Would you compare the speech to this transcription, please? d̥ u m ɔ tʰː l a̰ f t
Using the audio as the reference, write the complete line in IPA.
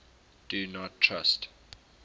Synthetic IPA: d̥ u n ɔ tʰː ɹ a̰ s t